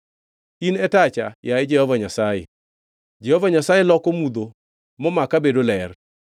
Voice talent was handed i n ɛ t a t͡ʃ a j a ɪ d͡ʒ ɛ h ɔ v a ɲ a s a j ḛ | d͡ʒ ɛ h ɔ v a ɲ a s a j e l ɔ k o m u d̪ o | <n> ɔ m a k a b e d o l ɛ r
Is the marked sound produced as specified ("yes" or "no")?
no